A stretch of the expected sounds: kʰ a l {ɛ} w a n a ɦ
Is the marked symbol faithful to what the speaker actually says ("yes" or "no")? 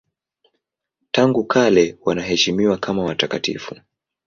yes